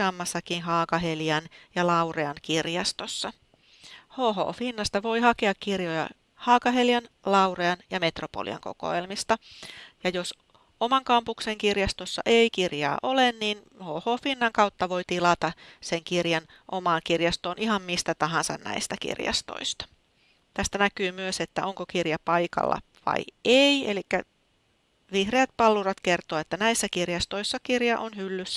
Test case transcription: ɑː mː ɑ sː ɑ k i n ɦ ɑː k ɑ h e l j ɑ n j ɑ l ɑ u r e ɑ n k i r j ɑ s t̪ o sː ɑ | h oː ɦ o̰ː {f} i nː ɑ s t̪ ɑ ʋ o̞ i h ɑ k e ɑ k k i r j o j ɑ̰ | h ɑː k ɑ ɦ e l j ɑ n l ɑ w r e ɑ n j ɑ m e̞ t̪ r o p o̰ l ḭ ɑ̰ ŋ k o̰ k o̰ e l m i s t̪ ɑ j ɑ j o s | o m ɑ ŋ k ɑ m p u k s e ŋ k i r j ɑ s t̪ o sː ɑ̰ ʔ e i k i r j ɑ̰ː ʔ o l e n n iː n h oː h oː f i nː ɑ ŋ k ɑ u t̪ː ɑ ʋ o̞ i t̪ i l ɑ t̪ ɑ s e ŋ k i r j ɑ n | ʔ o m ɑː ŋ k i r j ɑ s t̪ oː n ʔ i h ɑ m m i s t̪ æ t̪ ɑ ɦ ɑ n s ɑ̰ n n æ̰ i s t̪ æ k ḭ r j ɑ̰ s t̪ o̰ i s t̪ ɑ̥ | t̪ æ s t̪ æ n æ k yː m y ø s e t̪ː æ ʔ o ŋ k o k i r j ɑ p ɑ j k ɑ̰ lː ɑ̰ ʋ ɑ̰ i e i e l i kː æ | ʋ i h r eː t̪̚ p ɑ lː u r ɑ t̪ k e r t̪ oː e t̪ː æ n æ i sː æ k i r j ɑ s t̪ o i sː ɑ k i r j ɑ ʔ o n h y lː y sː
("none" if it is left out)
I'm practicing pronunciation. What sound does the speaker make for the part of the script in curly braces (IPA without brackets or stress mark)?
f